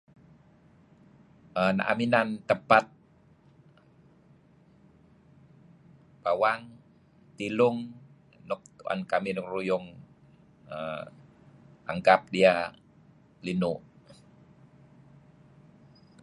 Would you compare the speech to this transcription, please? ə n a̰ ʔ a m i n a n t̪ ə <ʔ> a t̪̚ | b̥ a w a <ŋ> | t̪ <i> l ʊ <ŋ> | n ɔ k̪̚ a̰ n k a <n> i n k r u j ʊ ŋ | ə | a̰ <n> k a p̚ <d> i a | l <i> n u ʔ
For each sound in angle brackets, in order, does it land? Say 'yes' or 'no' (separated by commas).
no, yes, yes, yes, no, no, yes, yes